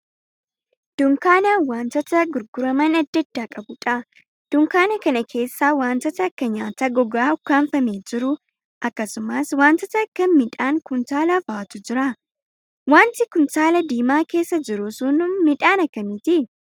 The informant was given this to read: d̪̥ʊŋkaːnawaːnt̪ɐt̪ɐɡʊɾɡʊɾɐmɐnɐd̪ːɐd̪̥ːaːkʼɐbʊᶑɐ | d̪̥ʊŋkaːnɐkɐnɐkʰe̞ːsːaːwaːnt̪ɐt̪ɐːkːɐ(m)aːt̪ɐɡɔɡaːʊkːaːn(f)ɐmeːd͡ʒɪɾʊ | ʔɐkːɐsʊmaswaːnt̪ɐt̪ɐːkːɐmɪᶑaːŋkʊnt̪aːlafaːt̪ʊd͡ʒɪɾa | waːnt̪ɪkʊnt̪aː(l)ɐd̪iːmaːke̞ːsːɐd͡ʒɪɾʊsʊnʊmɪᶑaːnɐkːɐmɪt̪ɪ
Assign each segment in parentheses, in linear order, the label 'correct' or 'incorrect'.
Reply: incorrect, correct, correct

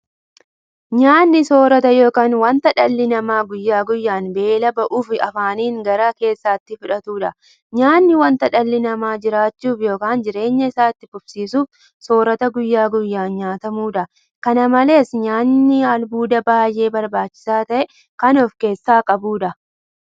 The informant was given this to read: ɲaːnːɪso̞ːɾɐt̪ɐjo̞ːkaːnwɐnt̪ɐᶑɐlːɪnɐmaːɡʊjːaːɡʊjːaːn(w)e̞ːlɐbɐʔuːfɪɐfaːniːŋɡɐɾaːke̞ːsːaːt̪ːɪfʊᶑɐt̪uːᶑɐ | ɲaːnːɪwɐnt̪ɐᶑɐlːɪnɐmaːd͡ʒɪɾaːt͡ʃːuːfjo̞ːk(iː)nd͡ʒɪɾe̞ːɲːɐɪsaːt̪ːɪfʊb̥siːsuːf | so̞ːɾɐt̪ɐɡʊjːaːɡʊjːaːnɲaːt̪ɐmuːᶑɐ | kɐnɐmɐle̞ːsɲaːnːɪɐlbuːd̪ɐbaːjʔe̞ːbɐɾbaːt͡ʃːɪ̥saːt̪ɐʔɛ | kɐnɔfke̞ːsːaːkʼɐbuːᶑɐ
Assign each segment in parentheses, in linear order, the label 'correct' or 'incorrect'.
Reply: incorrect, incorrect

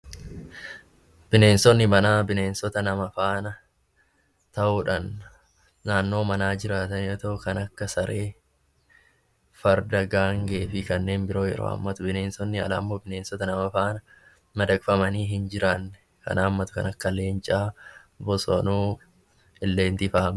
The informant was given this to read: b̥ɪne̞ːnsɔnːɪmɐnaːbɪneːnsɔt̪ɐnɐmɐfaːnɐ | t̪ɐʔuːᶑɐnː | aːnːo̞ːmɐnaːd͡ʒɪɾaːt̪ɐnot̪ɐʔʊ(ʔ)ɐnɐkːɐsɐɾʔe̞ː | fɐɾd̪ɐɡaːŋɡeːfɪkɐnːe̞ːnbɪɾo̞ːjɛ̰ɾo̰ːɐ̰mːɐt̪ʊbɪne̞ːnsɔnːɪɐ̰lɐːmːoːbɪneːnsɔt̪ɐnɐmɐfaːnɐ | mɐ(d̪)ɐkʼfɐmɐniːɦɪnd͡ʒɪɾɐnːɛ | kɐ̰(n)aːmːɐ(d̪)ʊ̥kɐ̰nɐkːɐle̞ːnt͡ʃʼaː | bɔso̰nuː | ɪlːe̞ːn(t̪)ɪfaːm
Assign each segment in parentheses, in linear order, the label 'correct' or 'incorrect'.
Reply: incorrect, correct, correct, incorrect, correct

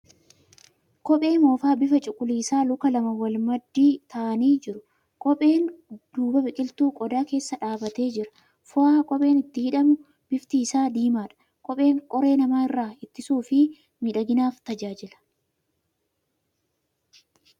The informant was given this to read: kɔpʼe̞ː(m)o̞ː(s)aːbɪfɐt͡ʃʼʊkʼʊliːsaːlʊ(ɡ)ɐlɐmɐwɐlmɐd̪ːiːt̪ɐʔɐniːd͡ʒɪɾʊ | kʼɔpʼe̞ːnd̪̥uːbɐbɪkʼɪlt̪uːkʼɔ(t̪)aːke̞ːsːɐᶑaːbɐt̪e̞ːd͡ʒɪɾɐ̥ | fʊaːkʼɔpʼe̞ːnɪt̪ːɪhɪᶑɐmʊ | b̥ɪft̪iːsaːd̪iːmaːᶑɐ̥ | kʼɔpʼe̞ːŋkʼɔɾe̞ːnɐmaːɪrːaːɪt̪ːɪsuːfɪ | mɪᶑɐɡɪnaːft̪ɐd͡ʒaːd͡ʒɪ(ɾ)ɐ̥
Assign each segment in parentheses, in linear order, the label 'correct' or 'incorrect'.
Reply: correct, incorrect, incorrect, incorrect, incorrect

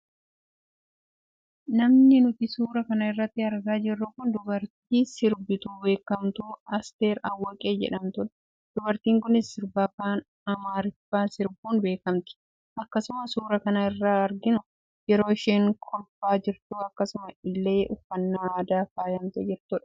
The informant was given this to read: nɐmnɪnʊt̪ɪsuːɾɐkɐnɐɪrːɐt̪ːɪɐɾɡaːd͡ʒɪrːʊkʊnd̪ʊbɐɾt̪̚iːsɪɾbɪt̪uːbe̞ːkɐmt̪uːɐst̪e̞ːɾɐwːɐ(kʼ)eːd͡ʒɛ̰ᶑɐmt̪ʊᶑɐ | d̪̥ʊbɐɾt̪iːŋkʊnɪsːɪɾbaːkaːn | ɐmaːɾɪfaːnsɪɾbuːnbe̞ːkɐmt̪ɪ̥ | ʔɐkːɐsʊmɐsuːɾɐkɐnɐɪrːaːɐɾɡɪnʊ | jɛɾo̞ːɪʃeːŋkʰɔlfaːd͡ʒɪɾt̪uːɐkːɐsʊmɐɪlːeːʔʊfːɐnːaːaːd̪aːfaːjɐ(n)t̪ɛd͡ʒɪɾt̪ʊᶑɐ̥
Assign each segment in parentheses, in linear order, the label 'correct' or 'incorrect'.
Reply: correct, incorrect

